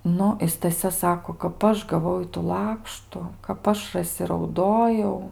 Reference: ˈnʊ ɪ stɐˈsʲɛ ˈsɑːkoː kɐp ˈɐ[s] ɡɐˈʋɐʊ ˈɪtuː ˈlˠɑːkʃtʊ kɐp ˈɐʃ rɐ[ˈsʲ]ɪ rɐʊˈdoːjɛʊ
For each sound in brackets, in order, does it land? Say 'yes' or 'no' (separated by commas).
no, yes